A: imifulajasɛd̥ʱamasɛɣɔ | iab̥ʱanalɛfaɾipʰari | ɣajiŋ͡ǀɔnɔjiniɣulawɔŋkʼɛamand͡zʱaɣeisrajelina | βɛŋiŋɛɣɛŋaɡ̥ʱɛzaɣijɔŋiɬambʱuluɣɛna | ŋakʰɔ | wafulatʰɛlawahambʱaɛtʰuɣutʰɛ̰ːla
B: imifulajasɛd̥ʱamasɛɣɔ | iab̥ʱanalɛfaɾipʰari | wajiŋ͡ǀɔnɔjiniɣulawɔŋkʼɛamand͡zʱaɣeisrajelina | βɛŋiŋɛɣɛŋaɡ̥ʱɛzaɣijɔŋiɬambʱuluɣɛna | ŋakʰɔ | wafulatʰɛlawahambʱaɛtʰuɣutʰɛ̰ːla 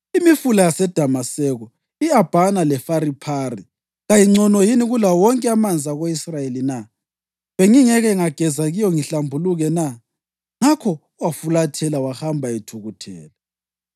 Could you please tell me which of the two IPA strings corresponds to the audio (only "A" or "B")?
A